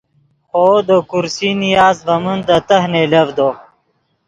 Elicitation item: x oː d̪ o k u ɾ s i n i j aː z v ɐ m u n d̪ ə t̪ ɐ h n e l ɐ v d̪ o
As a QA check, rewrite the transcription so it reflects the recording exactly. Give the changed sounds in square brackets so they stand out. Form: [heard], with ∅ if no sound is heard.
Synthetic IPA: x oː d̪ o k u ɾ s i n i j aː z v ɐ m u n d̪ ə t̪ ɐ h n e l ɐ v d̪ o